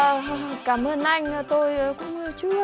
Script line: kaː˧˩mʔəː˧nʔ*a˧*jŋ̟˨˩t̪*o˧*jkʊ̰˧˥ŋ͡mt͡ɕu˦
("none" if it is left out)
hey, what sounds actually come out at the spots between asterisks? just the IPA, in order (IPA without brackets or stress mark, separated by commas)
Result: a˧, o˧